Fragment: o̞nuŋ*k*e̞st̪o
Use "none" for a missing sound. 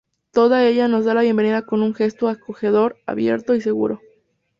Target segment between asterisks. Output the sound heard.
x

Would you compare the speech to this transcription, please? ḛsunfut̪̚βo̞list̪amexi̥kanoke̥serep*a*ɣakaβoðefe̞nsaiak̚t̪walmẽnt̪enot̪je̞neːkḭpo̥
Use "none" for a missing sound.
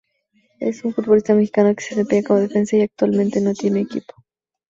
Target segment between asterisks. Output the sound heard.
e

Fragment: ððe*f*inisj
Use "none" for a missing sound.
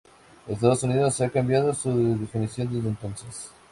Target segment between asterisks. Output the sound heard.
f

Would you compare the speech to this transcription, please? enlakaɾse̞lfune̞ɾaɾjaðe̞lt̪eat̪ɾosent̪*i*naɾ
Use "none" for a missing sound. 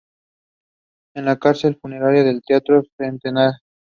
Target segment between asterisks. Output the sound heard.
e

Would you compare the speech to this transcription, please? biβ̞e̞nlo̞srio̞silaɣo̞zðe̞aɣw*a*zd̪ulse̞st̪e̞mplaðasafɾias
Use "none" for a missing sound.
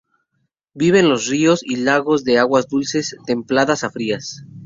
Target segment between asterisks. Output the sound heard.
a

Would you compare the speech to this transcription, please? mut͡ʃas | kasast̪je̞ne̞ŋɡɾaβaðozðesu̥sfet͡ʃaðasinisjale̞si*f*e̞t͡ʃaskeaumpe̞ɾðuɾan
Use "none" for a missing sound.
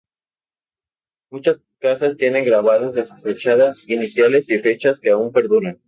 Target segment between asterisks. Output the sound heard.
f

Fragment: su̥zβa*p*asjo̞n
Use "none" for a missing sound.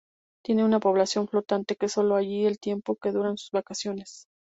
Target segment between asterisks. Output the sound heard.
k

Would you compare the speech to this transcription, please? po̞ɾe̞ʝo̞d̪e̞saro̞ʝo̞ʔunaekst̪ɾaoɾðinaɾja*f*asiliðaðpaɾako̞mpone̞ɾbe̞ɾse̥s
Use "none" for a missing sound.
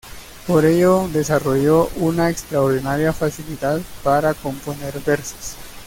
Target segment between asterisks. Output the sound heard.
f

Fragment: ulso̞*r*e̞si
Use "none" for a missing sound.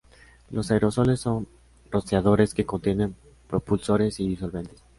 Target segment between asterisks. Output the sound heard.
ɾ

